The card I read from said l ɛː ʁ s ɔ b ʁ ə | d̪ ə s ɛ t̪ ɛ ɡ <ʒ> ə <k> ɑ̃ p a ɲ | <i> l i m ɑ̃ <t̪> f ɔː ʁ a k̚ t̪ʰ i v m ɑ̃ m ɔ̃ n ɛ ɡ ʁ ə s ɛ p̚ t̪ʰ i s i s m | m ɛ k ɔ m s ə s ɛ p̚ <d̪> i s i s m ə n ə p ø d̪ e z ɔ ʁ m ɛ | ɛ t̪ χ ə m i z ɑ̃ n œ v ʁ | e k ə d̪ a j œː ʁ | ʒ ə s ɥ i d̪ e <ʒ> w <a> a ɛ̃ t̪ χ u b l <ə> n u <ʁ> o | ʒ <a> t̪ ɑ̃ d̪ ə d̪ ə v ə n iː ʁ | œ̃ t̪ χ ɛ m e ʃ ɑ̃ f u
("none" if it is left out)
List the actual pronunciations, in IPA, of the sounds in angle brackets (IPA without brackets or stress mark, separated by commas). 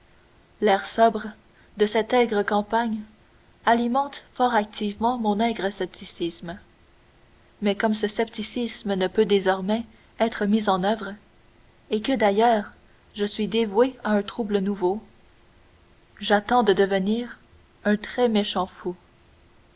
ʁ, k, a, t̪, t̪, v, e, ə, v, a